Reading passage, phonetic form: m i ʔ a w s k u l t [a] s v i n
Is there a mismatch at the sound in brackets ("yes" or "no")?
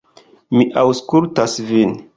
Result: no